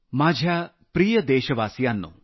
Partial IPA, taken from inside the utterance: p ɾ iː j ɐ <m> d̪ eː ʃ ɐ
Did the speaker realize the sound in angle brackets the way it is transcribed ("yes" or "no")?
no